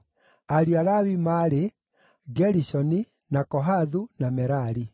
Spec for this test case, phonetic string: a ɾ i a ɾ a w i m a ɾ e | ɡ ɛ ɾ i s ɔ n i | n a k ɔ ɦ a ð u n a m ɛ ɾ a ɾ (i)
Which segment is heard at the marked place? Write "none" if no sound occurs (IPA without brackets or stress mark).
i